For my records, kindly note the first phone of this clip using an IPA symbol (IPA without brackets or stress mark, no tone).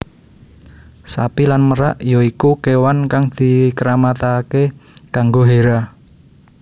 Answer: s